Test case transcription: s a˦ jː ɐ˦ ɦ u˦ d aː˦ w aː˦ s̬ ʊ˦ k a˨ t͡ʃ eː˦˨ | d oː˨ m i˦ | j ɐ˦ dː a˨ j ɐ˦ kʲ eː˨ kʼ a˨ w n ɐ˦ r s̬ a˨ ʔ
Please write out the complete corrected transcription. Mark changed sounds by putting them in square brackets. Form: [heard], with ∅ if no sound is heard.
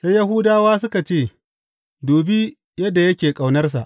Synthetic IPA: s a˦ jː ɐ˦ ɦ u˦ d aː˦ w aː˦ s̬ ʊ˦ k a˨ t͡ʃ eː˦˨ | d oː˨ [b] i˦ | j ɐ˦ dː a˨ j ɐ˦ kʲ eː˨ kʼ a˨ w n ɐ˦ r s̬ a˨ ʔ